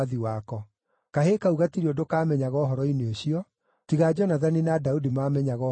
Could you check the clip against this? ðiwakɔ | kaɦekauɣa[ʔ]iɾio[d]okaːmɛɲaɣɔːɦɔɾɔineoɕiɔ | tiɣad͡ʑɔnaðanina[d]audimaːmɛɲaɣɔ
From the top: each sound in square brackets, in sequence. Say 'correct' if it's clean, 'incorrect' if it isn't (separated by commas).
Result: incorrect, correct, correct